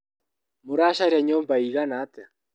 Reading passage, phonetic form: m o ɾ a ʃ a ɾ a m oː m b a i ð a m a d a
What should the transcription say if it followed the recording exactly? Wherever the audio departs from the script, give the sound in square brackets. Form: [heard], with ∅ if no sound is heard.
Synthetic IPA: m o ɾ a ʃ a ɾ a [ɲ] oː m b a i [ɣ] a [n] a [t] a